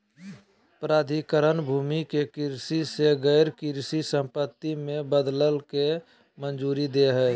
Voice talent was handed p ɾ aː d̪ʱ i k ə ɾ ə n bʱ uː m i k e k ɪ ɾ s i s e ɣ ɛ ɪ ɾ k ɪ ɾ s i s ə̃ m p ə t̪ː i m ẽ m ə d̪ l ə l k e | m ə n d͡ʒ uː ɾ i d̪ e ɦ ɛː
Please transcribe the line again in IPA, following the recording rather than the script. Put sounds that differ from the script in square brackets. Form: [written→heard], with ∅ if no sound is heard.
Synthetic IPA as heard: p ɾ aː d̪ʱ i k ə ɾ ə n bʱ uː m i k e k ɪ ɾ s i s e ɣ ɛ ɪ ɾ k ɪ ɾ s i s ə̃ m p ə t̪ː i m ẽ [m→b] ə d̪ l ə l k e | m ə n d͡ʒ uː ɾ i d̪ e ɦ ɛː